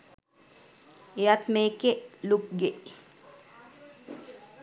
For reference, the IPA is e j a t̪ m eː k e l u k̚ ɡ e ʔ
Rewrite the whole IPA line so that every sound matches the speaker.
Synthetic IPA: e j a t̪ m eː k e l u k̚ ɡ e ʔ